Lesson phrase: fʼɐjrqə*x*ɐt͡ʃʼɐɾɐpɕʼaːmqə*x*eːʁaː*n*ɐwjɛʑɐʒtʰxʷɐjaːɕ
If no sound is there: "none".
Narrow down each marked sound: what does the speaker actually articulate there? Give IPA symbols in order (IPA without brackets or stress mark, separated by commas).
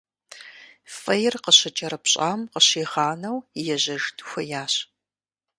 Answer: ɕ, ɕ, n